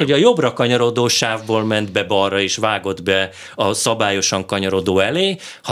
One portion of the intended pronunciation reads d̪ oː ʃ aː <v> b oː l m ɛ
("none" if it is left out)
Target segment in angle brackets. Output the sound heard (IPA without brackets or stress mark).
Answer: v